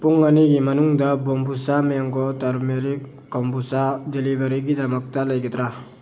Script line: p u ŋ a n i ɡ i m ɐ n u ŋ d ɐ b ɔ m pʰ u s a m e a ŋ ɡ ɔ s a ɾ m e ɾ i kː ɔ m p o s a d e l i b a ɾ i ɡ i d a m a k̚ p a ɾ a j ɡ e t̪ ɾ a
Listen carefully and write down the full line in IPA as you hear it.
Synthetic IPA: p u ŋ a n i ɡ i m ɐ n u ŋ d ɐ b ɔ m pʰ u s a m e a ŋ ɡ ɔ t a ɾ m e ɾ i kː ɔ m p u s a d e l i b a ɾ i ɡ i d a m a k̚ t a l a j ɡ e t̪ ɾ a